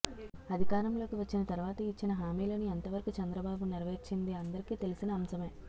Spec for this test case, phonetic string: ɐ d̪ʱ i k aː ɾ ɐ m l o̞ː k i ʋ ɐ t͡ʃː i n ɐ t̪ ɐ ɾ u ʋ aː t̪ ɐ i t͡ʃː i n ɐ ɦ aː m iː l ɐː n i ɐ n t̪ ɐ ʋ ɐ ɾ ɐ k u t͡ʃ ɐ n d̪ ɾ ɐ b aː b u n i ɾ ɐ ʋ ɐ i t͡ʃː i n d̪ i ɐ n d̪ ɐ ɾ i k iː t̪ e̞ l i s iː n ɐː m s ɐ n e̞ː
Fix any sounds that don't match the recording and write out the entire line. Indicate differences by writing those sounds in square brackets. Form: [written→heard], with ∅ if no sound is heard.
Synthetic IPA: ɐ d̪ʱ i k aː ɾ ɐ m l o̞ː k i ʋ ɐ t͡ʃː i n ɐ t̪ ɐ ɾ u ʋ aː t̪ ɐ i t͡ʃː i n ɐ ɦ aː m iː l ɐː n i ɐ n t̪ ɐ ʋ ɐ ɾ ɐ k u t͡ʃ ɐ n d̪ ɾ ɐ b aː b u n i ɾ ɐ ʋ ɐ i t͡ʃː i n d̪ i ɐ n d̪ ɐ ɾ i k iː t̪ e̞ l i s [iː→i] n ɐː m s ɐ [n→m] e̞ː

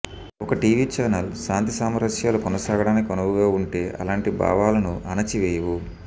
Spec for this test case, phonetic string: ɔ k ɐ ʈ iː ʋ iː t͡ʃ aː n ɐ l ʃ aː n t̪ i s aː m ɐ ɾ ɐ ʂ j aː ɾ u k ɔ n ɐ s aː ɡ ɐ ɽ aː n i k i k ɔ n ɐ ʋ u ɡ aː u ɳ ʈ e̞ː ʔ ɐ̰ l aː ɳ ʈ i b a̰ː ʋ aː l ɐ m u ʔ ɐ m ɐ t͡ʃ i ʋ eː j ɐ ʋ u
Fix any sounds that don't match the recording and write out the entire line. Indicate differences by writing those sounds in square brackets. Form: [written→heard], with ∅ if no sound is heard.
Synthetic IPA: ɔ k ɐ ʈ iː ʋ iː t͡ʃ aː n ɐ l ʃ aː n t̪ i s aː m ɐ ɾ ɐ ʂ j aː [ɾ→l] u k ɔ n ɐ s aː ɡ ɐ ɽ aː n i k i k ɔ n ɐ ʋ u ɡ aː u ɳ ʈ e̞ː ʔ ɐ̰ l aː ɳ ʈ i b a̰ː ʋ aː l ɐ [m→n] u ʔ ɐ [m→n] ɐ t͡ʃ i ʋ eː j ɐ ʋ u

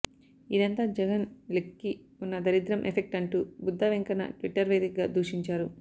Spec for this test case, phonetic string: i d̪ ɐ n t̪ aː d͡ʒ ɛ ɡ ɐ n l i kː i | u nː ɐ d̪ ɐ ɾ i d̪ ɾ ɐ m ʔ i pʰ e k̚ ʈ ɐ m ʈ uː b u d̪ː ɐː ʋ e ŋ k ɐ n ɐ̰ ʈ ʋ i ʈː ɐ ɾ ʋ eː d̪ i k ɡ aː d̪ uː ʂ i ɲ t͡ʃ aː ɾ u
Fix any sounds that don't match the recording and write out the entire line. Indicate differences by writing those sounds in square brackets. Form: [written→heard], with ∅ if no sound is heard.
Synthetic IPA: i d̪ ɐ n t̪ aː d͡ʒ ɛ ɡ ɐ n l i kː i | u nː ɐ d̪ ɐ ɾ i d̪ ɾ ɐ m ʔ [i→e] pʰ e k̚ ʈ ɐ [m→ɳ] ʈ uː b u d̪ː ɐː ʋ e ŋ k ɐ n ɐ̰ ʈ ʋ i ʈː ɐ ɾ ʋ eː d̪ i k ɡ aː d̪ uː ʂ i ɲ t͡ʃ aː ɾ u

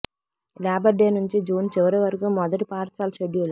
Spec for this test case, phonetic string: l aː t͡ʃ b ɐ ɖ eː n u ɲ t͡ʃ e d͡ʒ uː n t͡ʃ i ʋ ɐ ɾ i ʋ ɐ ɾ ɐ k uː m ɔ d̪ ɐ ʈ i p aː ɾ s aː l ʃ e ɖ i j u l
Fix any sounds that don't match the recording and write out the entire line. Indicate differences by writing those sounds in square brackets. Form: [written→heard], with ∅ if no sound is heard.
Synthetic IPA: l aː [t͡ʃ→∅] b ɐ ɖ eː n u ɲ t͡ʃ [e→i] d͡ʒ uː n t͡ʃ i ʋ ɐ ɾ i ʋ ɐ ɾ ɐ k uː m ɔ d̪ ɐ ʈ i p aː ɾ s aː l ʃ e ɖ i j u l

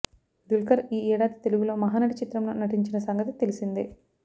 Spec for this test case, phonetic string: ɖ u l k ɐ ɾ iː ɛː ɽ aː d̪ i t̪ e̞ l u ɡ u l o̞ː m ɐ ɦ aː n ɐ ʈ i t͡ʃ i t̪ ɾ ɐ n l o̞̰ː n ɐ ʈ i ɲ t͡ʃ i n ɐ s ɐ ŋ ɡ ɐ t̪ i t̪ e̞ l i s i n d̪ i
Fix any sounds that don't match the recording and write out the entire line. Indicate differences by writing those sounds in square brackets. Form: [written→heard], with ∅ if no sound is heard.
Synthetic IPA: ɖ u l k ɐ ɾ iː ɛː ɽ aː d̪ i t̪ e̞ l u ɡ u l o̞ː m ɐ ɦ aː n ɐ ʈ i t͡ʃ i t̪ ɾ ɐ [n→m] l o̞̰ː n ɐ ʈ i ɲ t͡ʃ i n ɐ s ɐ ŋ ɡ ɐ t̪ i t̪ e̞ l i s i n d̪ i

